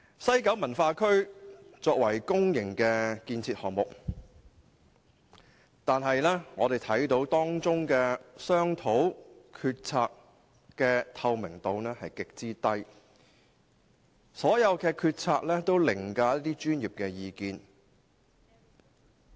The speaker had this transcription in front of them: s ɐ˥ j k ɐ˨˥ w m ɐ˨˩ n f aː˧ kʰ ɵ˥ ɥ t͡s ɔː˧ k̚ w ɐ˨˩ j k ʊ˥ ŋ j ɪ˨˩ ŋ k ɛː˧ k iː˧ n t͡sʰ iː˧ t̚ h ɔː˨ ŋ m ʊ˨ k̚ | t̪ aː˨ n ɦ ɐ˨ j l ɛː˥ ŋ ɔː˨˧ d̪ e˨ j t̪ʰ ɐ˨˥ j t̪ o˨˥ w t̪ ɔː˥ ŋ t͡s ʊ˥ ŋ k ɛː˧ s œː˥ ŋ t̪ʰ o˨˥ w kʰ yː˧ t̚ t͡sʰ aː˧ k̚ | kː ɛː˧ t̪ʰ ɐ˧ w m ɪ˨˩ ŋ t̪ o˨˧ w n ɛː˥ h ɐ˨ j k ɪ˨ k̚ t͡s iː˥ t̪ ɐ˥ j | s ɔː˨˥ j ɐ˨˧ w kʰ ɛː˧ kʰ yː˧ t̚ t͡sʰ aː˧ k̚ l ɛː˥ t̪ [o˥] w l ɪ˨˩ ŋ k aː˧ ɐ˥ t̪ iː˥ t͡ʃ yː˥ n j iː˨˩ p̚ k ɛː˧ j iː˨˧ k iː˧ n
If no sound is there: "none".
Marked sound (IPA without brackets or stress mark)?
o˥